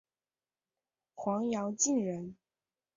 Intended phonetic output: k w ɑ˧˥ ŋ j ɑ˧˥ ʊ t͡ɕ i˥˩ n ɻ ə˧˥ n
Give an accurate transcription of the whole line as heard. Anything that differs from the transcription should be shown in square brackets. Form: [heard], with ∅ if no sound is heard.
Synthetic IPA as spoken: [x] w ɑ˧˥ ŋ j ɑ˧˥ ʊ t͡ɕ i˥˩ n ɻ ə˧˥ n